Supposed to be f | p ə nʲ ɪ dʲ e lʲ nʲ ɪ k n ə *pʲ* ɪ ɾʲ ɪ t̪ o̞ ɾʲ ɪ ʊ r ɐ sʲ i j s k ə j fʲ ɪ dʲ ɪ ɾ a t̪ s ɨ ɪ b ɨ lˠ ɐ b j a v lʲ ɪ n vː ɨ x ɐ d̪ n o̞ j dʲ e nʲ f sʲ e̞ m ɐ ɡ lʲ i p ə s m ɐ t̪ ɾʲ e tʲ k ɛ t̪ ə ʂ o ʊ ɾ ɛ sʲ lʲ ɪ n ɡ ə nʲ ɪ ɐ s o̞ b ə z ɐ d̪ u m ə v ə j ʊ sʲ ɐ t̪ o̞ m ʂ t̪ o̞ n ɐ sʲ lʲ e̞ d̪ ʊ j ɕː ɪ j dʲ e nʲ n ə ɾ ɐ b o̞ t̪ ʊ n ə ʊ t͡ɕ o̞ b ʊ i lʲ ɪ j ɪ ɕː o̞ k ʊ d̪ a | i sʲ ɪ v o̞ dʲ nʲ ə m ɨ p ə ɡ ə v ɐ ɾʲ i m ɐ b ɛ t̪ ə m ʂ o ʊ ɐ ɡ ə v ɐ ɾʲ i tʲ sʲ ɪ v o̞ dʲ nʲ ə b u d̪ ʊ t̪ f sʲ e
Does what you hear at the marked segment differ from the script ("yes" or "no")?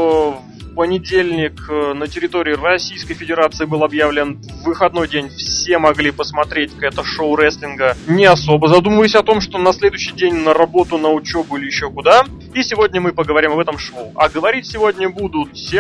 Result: yes